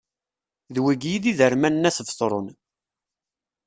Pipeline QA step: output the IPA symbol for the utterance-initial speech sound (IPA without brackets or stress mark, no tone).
ð